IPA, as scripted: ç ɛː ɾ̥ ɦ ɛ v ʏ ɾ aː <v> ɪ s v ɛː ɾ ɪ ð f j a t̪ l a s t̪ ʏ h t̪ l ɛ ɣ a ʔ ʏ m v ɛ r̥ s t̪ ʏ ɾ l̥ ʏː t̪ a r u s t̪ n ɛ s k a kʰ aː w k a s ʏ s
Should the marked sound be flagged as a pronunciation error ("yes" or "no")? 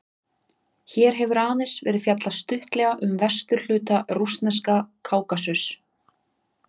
yes